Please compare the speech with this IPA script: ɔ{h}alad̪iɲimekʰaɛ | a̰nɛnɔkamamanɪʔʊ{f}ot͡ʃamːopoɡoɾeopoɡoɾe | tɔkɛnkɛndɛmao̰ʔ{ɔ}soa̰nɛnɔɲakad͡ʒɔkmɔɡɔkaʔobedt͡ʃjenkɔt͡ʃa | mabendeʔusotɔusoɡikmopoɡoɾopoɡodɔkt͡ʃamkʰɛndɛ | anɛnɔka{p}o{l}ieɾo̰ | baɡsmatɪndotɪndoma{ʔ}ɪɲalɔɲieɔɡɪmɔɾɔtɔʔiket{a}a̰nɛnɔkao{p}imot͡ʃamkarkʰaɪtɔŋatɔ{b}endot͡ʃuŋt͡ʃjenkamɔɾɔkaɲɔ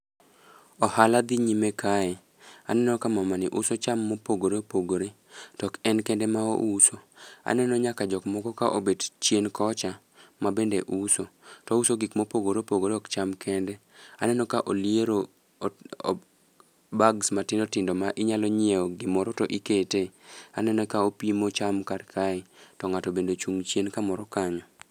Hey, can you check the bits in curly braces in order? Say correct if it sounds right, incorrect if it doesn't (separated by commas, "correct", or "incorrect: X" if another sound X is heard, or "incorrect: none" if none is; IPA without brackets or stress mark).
correct, incorrect: s, incorrect: u, incorrect: ʔ, correct, correct, incorrect: e, correct, correct